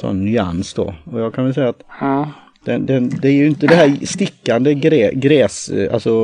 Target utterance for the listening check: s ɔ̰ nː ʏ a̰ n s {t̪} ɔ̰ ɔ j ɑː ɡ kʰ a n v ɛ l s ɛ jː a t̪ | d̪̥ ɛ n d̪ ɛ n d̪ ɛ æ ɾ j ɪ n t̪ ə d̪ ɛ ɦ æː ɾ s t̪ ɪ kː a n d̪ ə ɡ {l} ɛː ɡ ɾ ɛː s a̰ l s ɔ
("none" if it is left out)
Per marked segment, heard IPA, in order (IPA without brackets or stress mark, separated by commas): d̪, ɾ